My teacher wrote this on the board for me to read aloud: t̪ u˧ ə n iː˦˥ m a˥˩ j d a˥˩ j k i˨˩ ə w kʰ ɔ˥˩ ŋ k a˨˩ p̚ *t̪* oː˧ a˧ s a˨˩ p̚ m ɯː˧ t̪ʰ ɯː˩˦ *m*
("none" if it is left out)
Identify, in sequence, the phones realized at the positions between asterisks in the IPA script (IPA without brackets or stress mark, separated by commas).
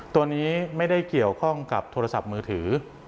t̪ʰ, none